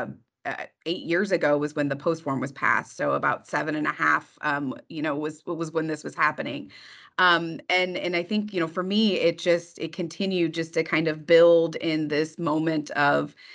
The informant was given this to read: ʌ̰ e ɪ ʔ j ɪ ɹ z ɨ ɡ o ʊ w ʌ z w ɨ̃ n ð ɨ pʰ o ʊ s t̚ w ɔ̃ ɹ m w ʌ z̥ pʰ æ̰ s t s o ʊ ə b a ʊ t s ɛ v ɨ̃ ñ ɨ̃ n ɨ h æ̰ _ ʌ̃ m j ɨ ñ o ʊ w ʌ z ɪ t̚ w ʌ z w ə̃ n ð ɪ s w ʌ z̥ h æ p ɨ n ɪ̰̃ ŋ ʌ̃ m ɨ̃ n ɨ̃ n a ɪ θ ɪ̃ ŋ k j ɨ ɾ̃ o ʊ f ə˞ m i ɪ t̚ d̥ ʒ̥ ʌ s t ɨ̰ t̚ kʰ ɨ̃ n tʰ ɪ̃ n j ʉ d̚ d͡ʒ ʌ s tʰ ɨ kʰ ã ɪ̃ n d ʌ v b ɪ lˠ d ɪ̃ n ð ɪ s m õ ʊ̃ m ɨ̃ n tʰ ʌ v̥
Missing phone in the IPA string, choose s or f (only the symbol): f